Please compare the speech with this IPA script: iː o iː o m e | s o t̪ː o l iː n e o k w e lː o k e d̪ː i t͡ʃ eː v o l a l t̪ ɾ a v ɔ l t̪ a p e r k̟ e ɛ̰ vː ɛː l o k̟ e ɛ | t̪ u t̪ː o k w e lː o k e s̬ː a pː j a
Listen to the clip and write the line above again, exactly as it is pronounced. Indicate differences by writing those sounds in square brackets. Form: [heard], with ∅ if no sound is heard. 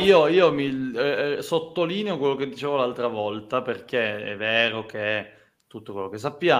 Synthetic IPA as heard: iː o iː o m [i] | s o t̪ː o l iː n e o k w e lː o k e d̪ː i t͡ʃ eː v o l a l t̪ ɾ a v ɔ l t̪ a p e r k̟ e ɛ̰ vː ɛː [ɾ] o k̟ e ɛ | t̪ u t̪ː o k w e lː o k e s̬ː a pː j a